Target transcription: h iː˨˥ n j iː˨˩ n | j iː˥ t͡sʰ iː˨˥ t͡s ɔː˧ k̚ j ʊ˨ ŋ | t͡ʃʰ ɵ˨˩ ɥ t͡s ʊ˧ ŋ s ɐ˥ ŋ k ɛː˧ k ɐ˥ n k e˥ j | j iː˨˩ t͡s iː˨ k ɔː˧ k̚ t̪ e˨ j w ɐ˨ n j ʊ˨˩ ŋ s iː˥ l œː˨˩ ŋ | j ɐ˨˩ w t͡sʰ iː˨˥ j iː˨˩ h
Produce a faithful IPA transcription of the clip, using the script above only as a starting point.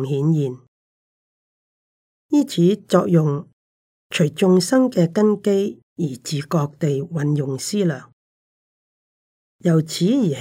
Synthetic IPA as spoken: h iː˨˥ n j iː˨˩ n | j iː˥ t͡sʰ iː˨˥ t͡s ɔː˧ k̚ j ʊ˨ ŋ | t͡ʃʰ ɵ˨˩ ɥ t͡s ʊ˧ ŋ s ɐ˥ ŋ k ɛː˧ k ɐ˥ n k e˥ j | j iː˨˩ t͡s iː˨ k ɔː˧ k̚ t̪ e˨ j w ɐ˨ n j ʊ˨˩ ŋ s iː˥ l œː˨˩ ŋ | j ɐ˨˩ w t͡sʰ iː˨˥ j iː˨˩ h